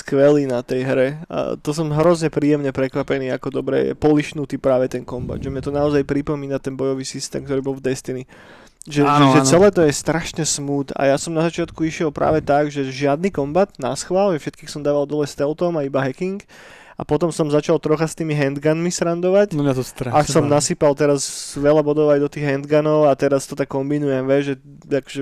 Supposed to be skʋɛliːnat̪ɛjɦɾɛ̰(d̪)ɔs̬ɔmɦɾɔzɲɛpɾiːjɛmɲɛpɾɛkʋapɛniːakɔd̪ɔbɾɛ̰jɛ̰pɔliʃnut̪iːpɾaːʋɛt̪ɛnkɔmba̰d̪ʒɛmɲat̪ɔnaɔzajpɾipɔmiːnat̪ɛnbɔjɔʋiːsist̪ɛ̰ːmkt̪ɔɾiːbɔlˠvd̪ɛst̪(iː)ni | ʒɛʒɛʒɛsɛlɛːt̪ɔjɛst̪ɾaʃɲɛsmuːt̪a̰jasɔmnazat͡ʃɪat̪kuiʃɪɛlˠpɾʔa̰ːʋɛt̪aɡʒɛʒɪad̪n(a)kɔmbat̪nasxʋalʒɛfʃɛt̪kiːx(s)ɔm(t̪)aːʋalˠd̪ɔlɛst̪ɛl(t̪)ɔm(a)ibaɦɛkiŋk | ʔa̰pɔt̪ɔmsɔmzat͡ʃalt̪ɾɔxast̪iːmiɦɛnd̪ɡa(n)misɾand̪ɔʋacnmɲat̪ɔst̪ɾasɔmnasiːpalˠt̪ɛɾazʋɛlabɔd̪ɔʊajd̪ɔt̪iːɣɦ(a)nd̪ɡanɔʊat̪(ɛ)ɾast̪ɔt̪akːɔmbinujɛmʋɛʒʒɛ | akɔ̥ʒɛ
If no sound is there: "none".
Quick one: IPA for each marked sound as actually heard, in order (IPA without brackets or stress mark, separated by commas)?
t̪, i, i, s, d̪, t̪, a, n, ɛ, ɛ